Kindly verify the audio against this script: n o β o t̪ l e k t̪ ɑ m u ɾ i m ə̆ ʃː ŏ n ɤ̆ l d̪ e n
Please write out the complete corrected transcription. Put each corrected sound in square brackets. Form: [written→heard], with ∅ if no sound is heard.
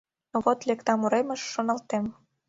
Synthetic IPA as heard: n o β o t̪ l e k t̪ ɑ m u ɾ [i→e] m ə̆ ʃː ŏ n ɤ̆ l [d̪→t̪] e [n→m]